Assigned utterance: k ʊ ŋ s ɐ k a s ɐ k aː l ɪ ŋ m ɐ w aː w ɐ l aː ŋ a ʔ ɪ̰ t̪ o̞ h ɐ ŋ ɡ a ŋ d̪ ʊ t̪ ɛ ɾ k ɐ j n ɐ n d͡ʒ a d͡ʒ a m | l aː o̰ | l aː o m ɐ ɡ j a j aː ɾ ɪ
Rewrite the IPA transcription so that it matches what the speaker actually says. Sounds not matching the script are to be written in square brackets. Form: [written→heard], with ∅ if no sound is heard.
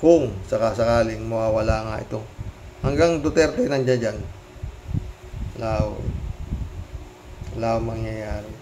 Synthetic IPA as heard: k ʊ ŋ s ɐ k a s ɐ k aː l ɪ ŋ m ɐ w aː w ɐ l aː ŋ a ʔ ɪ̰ t̪ o̞ h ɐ ŋ ɡ a ŋ d̪ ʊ t̪ ɛ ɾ k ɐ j n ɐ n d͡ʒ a d͡ʒ a [m→n] | l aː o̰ | l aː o m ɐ [ɡ→ŋ] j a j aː ɾ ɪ